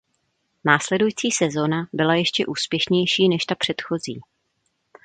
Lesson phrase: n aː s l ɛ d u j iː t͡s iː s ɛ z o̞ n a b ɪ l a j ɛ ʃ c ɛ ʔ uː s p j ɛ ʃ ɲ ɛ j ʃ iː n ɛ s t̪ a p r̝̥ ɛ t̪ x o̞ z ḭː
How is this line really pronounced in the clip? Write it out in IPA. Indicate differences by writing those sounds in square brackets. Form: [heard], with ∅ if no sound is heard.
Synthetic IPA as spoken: n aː s l ɛ d u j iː t͡s iː s ɛ z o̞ n a b ɪ l a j ɛ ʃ c ɛ ʔ uː s p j ɛ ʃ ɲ ɛ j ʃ iː n ɛ [ʃ] t̪ a p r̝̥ ɛ t̪ x o̞ z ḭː